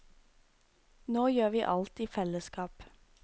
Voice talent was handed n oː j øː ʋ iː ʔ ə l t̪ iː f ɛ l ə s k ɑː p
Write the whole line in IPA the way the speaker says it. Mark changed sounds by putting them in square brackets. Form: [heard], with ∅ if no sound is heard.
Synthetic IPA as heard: n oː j øː ʋ iː ʔ [ɑ] l t̪ iː f ɛ l ə s k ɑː p